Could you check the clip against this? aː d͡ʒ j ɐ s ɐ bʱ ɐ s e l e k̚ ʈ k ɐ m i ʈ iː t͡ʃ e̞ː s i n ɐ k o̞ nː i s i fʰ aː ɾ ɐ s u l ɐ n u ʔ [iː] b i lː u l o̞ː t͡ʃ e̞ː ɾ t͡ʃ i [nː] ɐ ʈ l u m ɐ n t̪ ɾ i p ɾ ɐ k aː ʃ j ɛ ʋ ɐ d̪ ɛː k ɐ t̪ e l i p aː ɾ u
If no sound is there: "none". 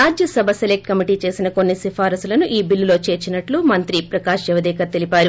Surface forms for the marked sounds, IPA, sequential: iː, n

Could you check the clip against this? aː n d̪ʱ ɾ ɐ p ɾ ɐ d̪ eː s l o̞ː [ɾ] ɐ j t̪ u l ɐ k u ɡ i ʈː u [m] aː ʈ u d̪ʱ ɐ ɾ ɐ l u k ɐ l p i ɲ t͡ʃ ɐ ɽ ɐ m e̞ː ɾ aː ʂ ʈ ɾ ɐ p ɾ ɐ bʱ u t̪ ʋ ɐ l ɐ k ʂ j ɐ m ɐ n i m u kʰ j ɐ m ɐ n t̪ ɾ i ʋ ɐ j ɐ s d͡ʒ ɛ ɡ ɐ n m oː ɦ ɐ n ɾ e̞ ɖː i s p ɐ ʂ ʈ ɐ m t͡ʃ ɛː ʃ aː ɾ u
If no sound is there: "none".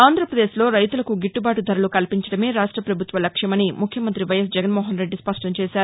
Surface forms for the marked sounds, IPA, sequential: ɾ, b

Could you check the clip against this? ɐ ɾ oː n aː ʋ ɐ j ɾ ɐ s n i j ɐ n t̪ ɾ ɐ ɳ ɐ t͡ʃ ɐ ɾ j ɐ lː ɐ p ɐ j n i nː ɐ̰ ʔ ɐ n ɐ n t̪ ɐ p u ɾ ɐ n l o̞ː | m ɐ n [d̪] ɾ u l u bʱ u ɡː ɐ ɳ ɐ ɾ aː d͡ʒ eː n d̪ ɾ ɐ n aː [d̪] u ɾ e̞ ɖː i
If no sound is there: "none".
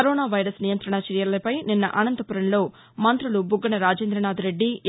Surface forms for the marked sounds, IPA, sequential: t̪, d̪

